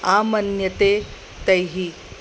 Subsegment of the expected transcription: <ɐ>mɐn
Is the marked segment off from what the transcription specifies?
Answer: yes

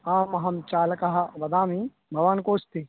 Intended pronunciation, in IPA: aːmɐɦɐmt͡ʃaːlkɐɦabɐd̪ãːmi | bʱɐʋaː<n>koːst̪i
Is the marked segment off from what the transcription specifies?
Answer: no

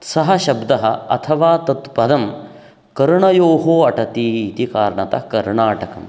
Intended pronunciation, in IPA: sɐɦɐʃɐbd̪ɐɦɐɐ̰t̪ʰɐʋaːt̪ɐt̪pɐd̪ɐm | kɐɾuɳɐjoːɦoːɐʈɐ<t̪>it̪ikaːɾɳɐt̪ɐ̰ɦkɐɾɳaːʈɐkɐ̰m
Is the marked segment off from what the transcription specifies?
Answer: no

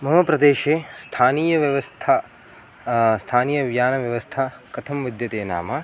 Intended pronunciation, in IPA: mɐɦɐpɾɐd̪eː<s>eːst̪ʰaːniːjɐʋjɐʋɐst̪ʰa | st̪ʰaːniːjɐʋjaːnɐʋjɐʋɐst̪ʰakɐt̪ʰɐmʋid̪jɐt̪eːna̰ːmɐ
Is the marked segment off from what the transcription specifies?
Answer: yes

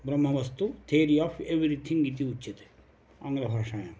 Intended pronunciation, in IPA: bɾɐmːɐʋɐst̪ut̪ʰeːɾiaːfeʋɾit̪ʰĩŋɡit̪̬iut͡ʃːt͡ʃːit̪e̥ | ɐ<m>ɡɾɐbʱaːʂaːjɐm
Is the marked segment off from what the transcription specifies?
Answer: yes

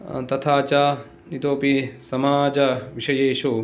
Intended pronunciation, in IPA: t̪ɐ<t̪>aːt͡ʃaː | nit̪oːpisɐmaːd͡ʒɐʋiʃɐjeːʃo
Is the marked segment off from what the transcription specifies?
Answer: yes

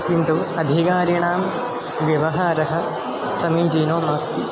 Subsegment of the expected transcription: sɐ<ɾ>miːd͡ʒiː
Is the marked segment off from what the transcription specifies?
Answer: yes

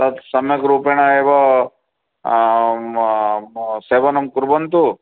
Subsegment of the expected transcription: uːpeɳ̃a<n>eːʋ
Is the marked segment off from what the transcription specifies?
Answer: yes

